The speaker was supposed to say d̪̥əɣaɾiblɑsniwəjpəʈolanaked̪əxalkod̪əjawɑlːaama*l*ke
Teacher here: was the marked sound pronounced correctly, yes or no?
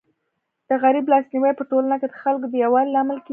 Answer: yes